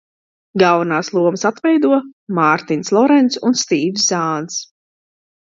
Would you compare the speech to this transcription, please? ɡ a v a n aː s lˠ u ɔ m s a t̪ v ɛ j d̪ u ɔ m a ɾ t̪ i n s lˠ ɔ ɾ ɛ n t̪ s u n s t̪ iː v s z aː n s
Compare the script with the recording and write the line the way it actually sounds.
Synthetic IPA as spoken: ɡ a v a n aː s lˠ u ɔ m s a t̪ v ɛ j d̪ u ɔ m a ɾ t̪ i n s lˠ ɔ ɾ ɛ n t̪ s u n s t̪ iː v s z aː n s